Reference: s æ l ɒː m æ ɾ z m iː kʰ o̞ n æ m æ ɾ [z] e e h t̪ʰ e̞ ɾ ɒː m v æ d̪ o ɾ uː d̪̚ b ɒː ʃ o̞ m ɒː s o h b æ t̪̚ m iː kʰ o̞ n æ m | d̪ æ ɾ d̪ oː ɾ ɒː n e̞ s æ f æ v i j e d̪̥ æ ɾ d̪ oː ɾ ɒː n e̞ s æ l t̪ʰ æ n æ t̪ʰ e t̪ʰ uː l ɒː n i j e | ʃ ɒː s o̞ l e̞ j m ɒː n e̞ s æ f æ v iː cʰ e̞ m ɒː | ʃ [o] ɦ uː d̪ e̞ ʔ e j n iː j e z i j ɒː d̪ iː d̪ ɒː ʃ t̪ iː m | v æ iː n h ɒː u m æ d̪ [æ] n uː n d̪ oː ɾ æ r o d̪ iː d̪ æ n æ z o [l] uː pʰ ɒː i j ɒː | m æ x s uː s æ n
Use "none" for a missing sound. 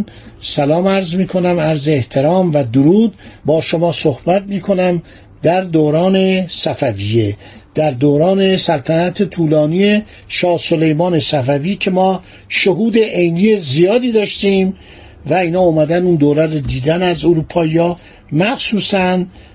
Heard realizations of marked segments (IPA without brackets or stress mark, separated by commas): z, o, æ, ɾ